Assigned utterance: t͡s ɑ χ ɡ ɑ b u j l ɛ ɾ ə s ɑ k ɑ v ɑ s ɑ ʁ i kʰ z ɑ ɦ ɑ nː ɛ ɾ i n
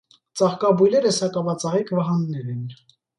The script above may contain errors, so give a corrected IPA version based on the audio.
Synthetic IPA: t͡s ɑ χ k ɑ b u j l ɛ ɾ ə s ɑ k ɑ v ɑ t͡s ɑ ʁ i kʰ v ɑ ɦ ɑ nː ɛ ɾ ɛ n